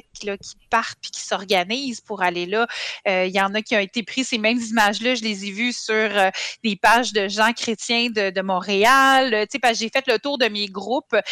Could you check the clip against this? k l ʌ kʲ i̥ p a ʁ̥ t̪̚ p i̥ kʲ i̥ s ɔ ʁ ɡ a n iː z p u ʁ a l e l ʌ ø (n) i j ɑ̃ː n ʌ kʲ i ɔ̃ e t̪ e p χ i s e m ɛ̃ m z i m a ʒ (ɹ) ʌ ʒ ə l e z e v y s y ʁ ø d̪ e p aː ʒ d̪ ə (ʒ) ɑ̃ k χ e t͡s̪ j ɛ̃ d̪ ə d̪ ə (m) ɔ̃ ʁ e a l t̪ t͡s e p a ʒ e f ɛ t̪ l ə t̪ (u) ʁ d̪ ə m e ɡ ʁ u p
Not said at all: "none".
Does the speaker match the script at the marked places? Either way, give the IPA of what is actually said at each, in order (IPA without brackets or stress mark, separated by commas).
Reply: none, l, ʒ, m, uː